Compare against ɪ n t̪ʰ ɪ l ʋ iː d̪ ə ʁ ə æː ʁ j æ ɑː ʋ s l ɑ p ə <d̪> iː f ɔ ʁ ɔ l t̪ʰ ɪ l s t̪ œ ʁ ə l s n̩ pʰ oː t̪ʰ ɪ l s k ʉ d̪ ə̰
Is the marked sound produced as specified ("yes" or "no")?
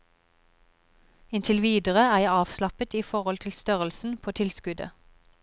no